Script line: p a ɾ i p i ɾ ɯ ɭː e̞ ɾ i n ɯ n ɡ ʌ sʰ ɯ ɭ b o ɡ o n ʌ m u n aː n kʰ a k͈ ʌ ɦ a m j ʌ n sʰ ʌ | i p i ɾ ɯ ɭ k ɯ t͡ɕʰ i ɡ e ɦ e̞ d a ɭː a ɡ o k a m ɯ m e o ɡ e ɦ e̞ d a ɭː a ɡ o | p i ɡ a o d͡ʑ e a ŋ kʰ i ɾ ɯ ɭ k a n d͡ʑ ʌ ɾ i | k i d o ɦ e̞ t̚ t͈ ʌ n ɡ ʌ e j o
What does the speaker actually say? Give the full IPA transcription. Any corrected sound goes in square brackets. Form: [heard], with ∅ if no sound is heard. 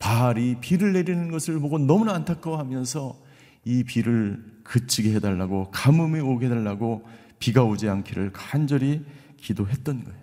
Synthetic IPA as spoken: p a ɾ i p i ɾ ɯ ɭː e̞ ɾ i n ɯ n ɡ ʌ sʰ ɯ ɭ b o ɡ o n ʌ m u n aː n [tʰ] a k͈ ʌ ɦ a m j ʌ n sʰ ʌ | i p i ɾ ɯ ɭ k ɯ t͡ɕʰ i ɡ e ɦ e̞ d a ɭː a ɡ o k a m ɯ m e o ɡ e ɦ e̞ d a ɭː a ɡ o | p i ɡ a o d͡ʑ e a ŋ kʰ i ɾ ɯ ɭ k a n d͡ʑ ʌ ɾ i | k i d o ɦ e̞ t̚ t͈ ʌ n ɡ ʌ e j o